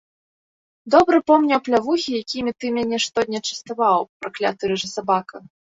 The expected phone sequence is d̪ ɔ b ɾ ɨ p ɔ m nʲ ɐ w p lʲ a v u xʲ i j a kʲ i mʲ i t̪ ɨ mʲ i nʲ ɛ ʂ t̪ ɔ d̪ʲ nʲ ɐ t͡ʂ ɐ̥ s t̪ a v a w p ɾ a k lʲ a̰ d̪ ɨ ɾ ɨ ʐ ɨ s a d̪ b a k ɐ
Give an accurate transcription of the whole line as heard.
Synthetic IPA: d̪ ɔ b ɾ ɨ p ɔ m nʲ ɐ w p lʲ a v u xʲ i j a kʲ i mʲ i t̪ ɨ mʲ a nʲ ɛ ʂ t̪ ɔ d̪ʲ nʲ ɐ t͡ʂ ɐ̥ s t̪ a v a w p ɾ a k lʲ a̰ t̪ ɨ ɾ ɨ ʐ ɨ s a b a k ɐ